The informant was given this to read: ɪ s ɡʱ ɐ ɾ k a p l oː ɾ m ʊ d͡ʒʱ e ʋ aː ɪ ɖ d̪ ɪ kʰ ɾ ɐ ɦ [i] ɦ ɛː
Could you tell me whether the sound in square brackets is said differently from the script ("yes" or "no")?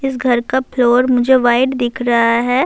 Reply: yes